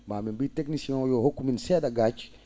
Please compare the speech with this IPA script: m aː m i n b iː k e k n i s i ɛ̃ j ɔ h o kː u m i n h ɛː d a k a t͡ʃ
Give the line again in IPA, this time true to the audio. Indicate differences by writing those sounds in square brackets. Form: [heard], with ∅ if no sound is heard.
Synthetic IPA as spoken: m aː m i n b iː [t] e k n i s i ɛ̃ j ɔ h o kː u m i n [s] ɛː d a [ɡ] a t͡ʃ